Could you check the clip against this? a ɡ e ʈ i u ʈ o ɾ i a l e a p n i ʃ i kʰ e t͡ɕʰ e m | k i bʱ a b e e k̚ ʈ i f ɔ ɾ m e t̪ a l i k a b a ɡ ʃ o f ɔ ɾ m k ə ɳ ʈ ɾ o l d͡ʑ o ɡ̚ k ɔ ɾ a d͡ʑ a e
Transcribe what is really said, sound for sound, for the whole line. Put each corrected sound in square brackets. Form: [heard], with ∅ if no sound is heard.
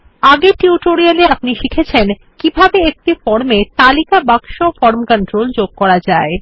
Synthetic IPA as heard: a ɡ e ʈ i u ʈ o ɾ i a l e a p n i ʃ i kʰ e t͡ɕʰ e [n] | k i bʱ a b e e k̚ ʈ i f ɔ ɾ m e t̪ a l i k a b a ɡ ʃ o f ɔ ɾ m k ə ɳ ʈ ɾ o l d͡ʑ o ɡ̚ k ɔ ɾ a d͡ʑ a e